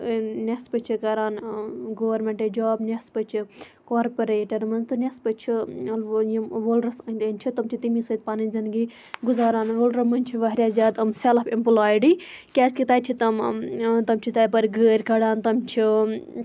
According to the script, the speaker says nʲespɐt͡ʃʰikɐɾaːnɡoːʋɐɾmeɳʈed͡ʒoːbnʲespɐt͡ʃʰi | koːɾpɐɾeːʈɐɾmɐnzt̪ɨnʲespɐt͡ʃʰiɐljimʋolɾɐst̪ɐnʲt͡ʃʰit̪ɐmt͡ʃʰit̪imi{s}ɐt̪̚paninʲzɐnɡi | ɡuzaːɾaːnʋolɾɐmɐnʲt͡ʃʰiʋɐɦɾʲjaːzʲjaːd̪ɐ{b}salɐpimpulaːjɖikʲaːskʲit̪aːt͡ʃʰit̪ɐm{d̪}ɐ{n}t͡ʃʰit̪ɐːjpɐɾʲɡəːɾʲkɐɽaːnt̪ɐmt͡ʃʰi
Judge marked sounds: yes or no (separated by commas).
yes, no, no, no